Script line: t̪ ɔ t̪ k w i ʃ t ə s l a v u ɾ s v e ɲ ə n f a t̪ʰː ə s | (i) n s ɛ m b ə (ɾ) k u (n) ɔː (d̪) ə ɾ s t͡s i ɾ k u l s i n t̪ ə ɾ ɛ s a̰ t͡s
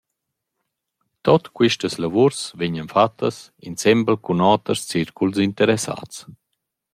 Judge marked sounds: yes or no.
yes, no, yes, no

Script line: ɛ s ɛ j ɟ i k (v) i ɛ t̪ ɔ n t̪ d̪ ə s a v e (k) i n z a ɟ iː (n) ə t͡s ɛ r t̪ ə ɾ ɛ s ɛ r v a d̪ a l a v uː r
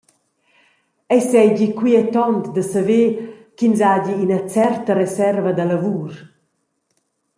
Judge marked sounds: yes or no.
no, yes, yes

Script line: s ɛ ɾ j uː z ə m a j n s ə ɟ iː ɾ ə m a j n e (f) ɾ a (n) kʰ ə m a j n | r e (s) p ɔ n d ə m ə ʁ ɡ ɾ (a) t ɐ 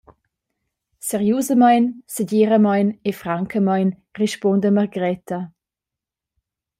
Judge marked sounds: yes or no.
yes, no, no, no

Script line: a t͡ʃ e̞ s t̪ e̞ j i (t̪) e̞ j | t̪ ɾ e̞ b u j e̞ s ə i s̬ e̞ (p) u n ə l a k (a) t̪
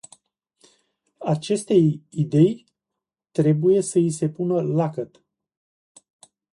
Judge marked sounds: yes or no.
no, yes, no

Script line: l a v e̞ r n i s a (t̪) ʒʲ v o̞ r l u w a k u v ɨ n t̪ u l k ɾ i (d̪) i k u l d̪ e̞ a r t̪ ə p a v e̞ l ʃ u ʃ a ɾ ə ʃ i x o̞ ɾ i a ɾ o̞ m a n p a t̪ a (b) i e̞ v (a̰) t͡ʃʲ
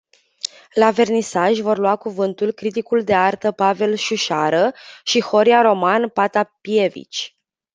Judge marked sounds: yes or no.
no, no, no, no

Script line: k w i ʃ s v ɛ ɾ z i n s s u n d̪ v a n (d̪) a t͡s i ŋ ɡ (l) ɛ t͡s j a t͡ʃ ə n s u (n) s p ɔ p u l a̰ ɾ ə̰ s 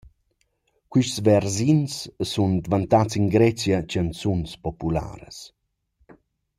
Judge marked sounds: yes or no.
no, no, yes

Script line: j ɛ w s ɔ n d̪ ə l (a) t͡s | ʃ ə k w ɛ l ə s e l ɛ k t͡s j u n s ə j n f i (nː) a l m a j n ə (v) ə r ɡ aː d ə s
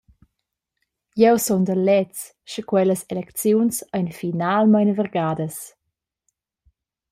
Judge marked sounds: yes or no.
no, no, yes

